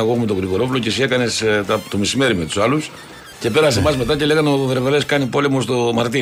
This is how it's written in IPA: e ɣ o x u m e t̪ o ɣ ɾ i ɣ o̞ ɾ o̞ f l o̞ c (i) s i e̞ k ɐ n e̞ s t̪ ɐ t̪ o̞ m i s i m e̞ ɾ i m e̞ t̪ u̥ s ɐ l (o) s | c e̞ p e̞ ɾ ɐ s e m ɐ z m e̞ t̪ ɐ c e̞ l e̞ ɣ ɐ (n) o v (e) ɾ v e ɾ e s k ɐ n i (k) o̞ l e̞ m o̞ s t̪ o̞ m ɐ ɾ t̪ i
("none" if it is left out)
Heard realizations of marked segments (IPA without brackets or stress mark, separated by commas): e, u, n, e, p